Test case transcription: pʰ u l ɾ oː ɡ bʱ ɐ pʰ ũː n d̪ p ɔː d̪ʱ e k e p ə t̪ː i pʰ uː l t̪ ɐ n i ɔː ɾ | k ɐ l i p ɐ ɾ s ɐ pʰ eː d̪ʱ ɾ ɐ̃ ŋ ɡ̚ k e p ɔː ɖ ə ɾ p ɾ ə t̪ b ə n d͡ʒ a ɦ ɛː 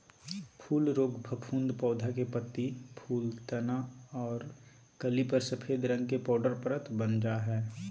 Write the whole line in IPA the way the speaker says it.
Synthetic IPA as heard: pʰ uː l ɾ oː ɡ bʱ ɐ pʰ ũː n d̪ p ɔː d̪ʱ a k e p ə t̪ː i pʰ uː l t̪ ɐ n a ɔː ɾ | k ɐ l i p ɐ ɾ s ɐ pʰ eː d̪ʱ ɾ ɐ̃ ŋ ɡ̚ k e p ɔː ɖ ə ɾ p ɾ ə t̪ b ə n d͡ʒ a ɦ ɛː